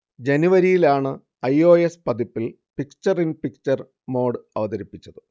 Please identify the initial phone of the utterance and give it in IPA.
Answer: d͡ʑ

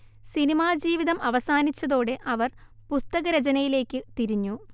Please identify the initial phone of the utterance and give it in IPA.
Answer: s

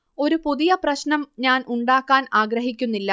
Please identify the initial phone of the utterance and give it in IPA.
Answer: o̞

